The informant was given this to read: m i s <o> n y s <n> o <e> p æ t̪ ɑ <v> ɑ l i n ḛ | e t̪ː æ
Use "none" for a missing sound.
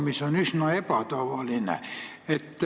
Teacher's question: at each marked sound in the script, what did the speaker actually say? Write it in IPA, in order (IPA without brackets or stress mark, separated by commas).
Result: o, n, e, ʋ